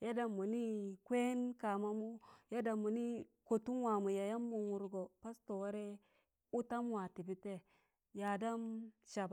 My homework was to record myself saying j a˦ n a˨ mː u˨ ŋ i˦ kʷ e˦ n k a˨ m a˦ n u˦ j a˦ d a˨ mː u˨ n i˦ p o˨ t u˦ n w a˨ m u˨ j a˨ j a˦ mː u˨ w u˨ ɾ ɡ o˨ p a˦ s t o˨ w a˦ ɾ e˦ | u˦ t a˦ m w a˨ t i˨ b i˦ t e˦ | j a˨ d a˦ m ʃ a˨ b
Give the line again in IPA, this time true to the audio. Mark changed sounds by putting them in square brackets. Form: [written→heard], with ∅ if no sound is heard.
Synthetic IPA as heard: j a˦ [n→d] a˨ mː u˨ [ŋ→n] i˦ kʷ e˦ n k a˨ m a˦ [n→m] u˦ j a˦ d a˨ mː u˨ n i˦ [p→k] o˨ t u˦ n w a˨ m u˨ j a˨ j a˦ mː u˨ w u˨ ɾ ɡ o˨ p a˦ s t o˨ w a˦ ɾ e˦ | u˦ t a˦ m w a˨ t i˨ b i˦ t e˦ | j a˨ d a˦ m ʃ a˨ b

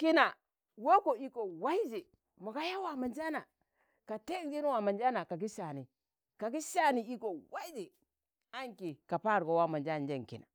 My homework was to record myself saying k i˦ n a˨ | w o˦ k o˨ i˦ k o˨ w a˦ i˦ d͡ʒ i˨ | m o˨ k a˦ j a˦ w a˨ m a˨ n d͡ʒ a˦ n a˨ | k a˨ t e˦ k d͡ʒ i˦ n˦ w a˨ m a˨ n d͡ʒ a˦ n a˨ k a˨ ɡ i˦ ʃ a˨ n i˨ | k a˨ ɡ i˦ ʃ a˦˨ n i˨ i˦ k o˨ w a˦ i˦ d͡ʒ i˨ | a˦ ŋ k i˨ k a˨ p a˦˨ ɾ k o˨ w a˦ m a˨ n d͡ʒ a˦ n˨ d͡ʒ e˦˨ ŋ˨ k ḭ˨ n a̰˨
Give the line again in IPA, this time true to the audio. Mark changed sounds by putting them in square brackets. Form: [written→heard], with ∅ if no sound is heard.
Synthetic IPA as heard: k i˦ n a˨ | w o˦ k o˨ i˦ k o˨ w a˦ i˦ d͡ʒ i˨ | m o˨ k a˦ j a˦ w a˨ m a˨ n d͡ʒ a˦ n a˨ | k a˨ t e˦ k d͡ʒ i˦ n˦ w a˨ m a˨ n d͡ʒ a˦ n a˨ k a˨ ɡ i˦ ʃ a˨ n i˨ | k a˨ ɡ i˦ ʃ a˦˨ n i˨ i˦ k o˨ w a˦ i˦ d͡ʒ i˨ | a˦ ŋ k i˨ k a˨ p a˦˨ ɾ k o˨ w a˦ m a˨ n d͡ʒ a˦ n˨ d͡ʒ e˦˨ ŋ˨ k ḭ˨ n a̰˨

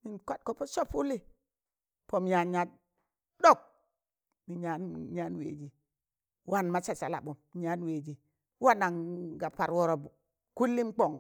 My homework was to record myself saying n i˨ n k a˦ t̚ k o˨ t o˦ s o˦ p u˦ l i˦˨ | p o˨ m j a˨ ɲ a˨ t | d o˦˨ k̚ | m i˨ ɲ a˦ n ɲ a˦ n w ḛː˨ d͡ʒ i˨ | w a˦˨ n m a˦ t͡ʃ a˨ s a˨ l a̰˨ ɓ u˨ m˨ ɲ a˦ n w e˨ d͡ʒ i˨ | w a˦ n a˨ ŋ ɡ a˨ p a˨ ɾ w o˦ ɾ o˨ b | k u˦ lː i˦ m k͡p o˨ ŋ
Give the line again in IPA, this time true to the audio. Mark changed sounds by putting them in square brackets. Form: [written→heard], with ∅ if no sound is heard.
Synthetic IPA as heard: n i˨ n k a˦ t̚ k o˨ [t→p] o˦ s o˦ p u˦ l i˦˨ | p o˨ m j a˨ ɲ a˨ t | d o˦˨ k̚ | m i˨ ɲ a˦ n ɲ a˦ n w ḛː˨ d͡ʒ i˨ | w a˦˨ n m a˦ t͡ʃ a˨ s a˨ l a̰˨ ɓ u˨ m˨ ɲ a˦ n w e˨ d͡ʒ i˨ | w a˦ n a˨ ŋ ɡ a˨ p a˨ ɾ w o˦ ɾ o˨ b | k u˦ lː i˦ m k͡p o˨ ŋ

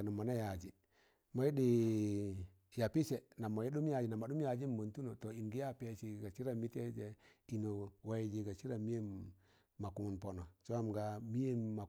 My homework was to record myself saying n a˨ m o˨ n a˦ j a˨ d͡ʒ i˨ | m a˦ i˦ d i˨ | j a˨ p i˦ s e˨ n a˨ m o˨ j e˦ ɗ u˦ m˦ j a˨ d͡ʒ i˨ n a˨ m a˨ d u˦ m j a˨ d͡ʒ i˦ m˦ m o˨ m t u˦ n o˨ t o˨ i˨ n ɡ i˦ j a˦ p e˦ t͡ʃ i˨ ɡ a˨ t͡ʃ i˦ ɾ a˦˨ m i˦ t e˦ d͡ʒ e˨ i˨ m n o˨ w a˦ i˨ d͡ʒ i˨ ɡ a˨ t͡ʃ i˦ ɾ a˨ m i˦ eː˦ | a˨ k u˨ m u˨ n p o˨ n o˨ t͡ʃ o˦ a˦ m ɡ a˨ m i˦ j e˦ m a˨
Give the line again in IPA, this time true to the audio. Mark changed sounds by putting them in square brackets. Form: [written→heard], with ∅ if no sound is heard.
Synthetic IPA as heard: n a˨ m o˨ n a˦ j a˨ d͡ʒ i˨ | m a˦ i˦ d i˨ | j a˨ p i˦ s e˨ n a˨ m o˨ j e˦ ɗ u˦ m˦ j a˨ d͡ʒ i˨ n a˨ m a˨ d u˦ m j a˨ d͡ʒ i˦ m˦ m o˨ [m→n] t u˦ n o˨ t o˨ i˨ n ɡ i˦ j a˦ p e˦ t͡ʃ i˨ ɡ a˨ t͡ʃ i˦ ɾ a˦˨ m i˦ t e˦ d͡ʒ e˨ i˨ [m→∅] n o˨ w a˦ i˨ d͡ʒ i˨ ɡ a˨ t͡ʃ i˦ ɾ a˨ m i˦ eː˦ | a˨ k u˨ m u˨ n p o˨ n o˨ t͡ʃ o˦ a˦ m ɡ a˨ m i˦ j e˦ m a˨

